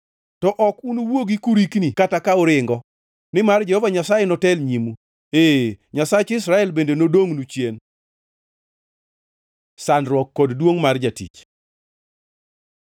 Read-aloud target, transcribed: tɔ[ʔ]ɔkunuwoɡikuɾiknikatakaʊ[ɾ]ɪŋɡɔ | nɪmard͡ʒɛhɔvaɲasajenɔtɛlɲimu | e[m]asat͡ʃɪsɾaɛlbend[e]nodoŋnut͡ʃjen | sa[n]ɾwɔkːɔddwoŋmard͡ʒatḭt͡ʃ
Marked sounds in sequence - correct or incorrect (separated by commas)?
correct, correct, incorrect, correct, correct